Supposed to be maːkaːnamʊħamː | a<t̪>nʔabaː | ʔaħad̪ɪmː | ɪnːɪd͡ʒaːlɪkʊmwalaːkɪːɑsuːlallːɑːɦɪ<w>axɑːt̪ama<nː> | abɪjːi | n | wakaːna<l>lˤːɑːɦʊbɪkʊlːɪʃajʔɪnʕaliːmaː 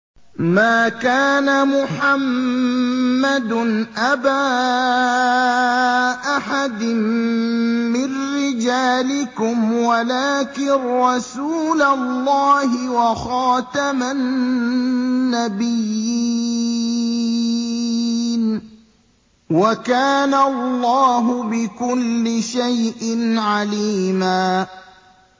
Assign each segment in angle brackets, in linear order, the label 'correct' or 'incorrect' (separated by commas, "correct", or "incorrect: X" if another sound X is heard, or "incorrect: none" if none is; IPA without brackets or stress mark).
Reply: incorrect: d̪, correct, correct, correct